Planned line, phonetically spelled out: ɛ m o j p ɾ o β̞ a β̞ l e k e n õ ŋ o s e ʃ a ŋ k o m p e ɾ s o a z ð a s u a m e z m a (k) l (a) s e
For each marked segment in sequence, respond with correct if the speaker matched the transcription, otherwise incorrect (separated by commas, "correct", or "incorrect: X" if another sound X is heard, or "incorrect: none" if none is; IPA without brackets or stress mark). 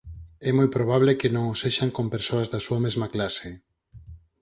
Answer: correct, correct